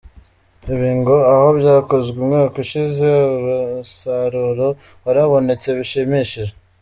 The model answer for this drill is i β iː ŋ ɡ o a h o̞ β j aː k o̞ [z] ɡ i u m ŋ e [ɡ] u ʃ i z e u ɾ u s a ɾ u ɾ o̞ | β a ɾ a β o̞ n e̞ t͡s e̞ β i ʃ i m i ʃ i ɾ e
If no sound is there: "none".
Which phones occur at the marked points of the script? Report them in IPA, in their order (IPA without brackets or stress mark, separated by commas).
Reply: z, k